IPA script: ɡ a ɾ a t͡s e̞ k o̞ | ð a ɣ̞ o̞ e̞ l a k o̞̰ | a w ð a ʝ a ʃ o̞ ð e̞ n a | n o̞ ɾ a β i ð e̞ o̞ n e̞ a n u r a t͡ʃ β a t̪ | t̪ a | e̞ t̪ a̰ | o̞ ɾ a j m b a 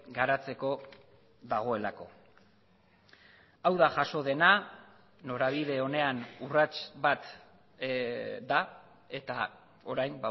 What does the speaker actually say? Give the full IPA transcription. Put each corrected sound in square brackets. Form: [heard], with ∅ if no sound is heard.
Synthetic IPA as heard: ɡ a ɾ a t͡s e̞ k o̞ | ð a ɣ̞ o̞ e̞ l a k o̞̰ | a w ð a ʝ a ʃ o̞ ð e̞ n a | n o̞ ɾ a β i ð e̞ o̞ n e̞ a n u r a t͡ʃ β a t̪ | [d̪] a | e̞ t̪ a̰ | o̞ ɾ a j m b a